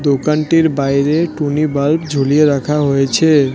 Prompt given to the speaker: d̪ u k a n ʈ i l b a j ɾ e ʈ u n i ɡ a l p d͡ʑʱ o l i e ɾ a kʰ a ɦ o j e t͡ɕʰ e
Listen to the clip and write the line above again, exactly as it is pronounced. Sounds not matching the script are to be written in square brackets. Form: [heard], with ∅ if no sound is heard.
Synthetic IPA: d̪ [o] k a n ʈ i [ɾ] b a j ɾ e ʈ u n i [b] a l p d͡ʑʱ o l i e ɾ a kʰ a ɦ o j e t͡ɕʰ e